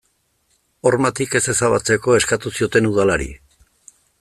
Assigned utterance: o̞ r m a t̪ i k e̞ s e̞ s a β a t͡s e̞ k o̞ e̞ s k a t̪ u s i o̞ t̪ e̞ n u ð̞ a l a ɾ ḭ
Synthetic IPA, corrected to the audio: o̞ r m a t̪ i k e̞ s e̞ s a β a t͡s e̞ k o̞ e̞ s k a t̪ u s i o̞ t̪ e̞ n u ð̞ a l a ɾ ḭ